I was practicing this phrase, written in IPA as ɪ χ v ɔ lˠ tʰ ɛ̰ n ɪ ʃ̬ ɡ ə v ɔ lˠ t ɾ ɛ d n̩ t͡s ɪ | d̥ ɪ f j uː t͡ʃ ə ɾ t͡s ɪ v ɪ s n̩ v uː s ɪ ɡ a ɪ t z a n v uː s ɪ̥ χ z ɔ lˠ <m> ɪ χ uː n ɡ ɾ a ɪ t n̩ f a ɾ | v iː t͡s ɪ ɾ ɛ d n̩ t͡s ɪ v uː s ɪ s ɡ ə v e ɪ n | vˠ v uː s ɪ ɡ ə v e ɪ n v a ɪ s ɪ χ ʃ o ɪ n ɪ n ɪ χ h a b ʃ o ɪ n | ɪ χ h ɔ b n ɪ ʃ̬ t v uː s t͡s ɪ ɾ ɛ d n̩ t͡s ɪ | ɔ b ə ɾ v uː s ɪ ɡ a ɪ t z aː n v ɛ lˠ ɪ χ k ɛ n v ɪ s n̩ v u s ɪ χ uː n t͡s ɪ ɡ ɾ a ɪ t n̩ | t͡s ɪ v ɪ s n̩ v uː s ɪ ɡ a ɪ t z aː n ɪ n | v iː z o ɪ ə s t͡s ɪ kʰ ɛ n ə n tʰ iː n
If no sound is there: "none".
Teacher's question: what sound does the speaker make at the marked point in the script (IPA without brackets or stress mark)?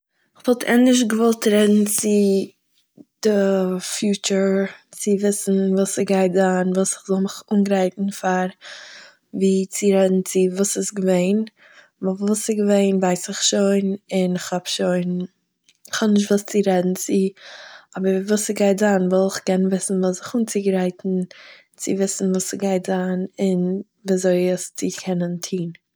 m